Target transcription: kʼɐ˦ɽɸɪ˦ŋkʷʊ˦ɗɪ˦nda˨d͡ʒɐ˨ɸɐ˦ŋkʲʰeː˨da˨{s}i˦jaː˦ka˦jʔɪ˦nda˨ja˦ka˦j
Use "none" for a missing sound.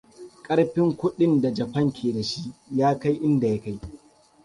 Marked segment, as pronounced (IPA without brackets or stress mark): ʃ